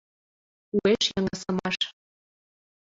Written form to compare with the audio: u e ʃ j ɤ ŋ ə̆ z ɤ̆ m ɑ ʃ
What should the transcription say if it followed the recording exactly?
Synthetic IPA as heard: u e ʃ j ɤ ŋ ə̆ s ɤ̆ m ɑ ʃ

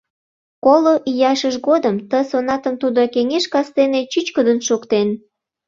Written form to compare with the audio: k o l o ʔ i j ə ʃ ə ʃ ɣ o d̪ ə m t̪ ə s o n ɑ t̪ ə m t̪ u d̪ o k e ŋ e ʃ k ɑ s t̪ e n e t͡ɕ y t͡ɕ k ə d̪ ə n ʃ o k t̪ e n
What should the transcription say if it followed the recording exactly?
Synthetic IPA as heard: k o l o ʔ i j ɑ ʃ ə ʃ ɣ o d̪ ə m t̪ ə s o n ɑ t̪ ə m t̪ u d̪ o k e ŋ e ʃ k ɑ s t̪ e n e t͡ɕ y t͡ɕ k ə d̪ ə n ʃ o k t̪ e n

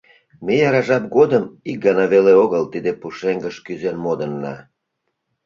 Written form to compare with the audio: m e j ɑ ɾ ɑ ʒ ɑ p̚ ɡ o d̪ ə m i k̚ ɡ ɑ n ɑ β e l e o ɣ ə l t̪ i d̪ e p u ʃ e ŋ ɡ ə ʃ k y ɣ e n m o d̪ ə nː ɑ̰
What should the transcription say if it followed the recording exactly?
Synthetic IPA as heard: m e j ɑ ɾ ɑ ʒ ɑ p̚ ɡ o d̪ ə m i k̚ ɡ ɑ n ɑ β e l e o ɣ ə l t̪ i d̪ e p u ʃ e ŋ ɡ ə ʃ k y z e n m o d̪ ə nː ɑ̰

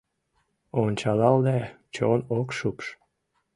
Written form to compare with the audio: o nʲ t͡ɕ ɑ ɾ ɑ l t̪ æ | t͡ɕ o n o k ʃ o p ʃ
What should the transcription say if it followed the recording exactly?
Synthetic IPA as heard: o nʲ t͡ɕ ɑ l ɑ l d̪ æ | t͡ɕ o n o k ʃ u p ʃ

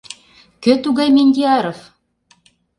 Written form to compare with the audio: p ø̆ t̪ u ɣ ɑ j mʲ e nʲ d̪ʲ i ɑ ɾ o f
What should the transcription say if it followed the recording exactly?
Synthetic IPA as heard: k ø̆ t̪ u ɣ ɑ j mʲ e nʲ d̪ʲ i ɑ ɾ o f

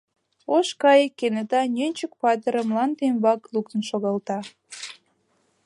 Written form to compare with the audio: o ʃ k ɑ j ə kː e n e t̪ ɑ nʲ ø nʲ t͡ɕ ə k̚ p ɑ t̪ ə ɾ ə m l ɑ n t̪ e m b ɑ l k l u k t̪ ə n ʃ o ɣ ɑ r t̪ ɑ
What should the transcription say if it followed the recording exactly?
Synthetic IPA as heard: o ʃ k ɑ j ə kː e n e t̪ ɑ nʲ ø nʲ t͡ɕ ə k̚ p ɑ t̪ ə ɾ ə m l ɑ n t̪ e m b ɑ k l u k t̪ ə n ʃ o ɣ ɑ l t̪ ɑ

